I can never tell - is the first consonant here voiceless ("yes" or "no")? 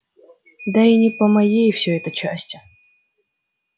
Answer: no